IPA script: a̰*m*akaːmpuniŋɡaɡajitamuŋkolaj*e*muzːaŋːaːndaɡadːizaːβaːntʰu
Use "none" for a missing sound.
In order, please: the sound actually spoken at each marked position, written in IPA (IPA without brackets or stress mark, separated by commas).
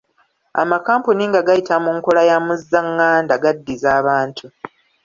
m, a